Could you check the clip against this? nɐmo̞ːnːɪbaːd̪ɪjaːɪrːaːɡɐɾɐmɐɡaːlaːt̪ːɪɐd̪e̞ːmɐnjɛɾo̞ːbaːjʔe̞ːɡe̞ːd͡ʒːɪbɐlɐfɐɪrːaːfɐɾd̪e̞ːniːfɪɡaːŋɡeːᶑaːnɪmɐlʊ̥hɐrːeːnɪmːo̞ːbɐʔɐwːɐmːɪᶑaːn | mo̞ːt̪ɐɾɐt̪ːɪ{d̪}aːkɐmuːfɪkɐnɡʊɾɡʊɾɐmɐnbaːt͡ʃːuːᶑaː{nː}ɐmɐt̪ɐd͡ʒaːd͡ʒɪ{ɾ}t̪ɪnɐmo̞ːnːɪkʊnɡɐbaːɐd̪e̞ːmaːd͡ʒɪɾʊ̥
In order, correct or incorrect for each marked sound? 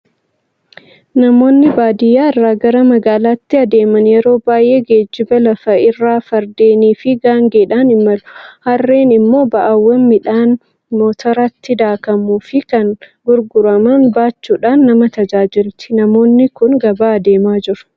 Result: correct, correct, incorrect

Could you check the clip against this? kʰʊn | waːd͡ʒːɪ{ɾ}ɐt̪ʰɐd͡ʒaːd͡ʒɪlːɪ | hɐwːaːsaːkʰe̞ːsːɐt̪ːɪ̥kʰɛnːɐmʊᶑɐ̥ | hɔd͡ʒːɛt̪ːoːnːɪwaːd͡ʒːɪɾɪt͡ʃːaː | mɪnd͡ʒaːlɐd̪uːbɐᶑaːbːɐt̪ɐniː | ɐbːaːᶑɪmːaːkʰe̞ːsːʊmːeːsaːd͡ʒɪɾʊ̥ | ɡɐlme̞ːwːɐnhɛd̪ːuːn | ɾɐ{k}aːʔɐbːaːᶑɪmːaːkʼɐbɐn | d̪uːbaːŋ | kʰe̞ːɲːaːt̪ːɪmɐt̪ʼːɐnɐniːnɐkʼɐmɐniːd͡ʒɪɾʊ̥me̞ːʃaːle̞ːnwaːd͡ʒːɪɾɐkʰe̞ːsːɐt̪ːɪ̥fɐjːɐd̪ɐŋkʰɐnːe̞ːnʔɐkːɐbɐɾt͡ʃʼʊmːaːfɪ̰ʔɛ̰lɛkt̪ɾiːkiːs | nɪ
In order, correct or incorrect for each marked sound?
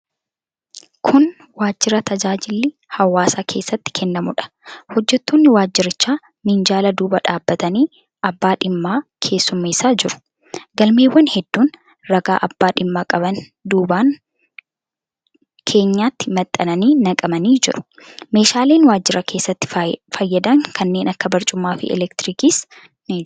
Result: correct, incorrect

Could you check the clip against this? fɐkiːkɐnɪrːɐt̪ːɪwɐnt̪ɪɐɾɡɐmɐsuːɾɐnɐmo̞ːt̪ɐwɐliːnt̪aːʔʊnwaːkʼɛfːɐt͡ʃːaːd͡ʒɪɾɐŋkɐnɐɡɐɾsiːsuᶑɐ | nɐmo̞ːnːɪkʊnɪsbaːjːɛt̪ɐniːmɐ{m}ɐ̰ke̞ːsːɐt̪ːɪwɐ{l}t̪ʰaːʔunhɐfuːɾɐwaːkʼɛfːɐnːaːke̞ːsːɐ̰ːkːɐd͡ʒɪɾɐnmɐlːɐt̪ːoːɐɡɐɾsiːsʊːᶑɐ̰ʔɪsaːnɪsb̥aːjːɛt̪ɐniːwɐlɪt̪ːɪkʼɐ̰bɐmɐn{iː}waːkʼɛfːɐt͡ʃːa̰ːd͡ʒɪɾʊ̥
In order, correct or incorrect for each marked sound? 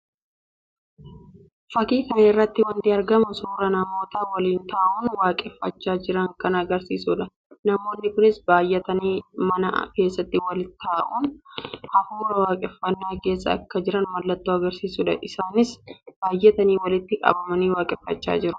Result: incorrect, correct, correct

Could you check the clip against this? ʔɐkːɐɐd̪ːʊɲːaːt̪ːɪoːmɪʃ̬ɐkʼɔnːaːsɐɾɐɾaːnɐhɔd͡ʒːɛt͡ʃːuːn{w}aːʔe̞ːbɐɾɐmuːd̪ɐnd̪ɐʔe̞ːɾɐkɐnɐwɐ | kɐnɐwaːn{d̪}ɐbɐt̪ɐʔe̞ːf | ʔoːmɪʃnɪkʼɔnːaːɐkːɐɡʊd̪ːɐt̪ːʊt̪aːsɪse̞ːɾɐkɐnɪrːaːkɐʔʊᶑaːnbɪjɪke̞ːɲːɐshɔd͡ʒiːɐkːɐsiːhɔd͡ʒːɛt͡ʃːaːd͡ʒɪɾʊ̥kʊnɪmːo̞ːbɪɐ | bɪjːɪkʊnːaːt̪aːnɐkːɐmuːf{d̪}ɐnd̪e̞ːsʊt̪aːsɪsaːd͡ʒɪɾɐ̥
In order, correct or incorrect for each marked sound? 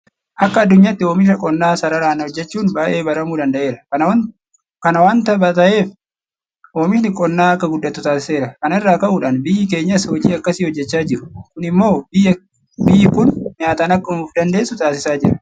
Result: incorrect, incorrect, correct

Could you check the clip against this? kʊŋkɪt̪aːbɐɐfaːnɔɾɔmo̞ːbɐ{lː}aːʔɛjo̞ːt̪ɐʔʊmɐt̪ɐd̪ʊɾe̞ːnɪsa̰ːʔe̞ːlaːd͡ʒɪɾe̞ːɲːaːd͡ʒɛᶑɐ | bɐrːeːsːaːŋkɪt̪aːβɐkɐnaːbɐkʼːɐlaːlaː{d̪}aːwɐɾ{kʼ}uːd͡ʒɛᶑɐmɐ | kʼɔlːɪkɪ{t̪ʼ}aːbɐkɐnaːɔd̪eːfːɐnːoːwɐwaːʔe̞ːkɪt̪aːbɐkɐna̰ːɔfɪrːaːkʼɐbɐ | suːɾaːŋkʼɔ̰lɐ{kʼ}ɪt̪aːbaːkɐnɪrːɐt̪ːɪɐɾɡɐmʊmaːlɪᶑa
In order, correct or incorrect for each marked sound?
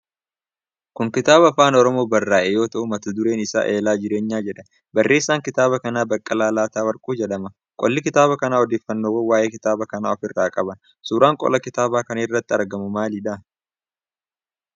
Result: incorrect, incorrect, correct, incorrect, incorrect

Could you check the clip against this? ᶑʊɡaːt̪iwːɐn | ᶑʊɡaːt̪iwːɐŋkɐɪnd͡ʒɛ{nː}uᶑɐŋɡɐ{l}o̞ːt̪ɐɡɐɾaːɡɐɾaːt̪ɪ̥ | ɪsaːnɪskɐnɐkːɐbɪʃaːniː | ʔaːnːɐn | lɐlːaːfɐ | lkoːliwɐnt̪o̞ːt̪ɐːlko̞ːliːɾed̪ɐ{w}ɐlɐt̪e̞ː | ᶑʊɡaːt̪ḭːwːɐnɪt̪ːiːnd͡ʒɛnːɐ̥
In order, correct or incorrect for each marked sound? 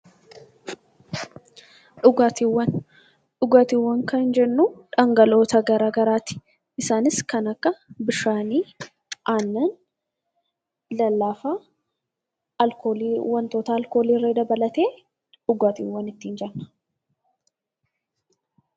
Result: correct, correct, incorrect

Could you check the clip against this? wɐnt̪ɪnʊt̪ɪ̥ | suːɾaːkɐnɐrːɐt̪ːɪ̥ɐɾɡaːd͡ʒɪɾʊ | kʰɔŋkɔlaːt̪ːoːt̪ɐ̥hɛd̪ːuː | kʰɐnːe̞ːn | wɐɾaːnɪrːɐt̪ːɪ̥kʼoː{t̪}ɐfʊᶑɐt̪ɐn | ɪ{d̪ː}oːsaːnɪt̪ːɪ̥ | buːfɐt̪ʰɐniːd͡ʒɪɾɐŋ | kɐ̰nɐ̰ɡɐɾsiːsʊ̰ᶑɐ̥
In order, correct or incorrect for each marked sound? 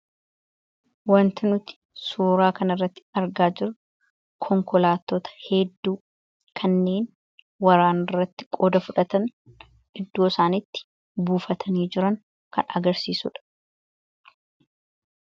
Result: incorrect, correct

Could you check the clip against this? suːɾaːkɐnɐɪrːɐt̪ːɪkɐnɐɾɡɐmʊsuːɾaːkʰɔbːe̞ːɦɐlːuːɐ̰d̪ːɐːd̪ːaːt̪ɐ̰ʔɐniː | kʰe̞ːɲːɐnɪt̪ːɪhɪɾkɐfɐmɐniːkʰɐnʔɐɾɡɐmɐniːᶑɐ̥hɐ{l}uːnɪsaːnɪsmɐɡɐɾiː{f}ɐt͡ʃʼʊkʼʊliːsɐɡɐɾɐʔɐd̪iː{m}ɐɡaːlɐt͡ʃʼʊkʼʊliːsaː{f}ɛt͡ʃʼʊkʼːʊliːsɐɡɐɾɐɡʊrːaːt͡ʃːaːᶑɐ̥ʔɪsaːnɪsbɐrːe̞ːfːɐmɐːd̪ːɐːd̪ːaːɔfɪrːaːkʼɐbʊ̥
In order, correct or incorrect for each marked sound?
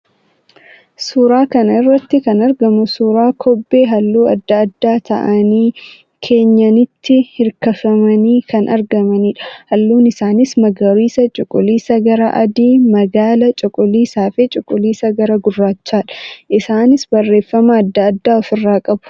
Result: incorrect, incorrect, correct, correct

